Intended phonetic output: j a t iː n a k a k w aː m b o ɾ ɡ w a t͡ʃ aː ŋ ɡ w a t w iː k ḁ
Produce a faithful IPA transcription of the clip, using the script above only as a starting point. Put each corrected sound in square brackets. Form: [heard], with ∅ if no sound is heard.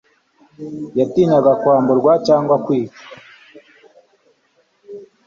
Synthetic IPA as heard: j a t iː n a [ɡ] a k w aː m b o ɾ ɡ w a t͡ʃ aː ŋ ɡ w a [k] w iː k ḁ